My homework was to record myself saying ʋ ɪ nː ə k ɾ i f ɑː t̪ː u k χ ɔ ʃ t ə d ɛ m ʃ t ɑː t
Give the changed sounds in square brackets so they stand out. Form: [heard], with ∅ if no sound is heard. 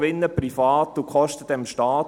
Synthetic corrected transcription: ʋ ɪ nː ə [p] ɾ i f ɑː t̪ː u k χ ɔ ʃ t ə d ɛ m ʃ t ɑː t